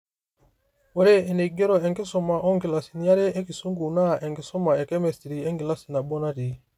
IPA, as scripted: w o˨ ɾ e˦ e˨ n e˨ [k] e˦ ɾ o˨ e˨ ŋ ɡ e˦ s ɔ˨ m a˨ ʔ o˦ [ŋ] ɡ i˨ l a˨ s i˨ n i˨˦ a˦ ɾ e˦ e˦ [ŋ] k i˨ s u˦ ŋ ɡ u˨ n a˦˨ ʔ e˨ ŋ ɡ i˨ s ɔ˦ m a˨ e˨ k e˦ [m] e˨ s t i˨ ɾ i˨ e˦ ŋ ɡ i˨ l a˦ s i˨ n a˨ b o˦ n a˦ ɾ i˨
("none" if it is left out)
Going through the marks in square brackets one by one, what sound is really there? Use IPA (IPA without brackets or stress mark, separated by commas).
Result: ɡ, ŋ, none, m